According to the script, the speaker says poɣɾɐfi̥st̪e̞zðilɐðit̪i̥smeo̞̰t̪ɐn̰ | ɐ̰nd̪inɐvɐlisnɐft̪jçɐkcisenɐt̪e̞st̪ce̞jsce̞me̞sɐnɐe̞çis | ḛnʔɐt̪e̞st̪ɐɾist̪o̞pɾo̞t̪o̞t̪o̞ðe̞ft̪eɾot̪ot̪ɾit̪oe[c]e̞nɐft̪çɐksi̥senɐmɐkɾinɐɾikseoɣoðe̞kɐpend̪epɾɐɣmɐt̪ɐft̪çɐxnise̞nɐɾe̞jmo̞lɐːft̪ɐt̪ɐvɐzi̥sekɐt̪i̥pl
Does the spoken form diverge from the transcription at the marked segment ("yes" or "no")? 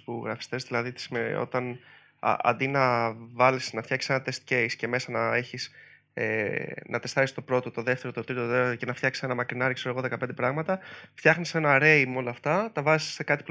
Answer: no